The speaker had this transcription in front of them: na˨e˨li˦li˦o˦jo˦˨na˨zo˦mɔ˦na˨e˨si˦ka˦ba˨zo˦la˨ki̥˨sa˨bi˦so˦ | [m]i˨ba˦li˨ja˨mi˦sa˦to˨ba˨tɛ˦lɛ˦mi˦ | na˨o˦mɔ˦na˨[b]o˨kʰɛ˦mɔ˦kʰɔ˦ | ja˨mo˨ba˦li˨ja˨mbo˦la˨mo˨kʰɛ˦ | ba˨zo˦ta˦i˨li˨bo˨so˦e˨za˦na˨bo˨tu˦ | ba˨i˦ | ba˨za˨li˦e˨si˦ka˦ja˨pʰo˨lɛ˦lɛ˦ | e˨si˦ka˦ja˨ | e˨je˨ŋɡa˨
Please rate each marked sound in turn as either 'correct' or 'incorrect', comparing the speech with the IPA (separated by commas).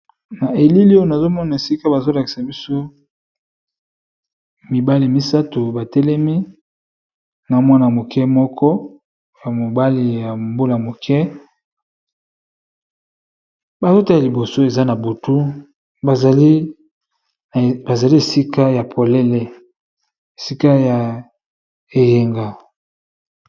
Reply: correct, incorrect